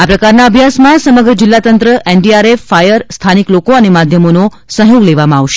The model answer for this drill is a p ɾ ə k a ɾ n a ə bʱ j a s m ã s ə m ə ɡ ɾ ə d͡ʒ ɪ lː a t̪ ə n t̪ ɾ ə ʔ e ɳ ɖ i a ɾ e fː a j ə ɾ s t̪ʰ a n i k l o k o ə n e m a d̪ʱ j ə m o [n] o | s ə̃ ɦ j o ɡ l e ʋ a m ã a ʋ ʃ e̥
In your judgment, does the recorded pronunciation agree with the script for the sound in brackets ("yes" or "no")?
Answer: yes